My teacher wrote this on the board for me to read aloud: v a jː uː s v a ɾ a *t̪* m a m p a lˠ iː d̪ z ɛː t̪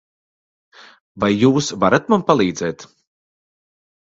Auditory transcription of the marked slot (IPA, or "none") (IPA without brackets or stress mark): t̪